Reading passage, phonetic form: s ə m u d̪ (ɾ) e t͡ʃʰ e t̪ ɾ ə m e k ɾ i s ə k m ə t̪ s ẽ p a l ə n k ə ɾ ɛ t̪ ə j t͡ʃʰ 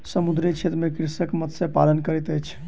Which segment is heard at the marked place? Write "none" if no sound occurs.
ɾ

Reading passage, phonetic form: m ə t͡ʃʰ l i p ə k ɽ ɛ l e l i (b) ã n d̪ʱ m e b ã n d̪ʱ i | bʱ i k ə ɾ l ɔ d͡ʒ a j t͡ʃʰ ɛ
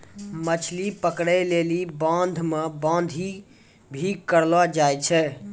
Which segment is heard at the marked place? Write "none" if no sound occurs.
b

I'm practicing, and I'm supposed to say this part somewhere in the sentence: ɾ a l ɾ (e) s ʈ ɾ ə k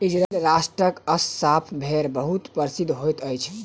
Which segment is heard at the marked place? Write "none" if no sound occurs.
a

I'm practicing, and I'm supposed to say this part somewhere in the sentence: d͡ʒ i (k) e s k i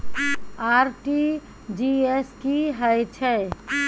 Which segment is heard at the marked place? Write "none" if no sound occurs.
none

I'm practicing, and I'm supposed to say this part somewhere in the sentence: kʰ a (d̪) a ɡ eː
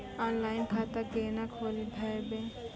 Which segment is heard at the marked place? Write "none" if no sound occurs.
t̪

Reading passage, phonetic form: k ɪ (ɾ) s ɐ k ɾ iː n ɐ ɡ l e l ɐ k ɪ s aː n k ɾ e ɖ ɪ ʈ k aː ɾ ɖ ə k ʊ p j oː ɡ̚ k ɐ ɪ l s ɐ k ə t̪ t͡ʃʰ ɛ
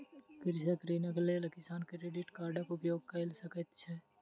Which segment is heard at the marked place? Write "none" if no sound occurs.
ɾ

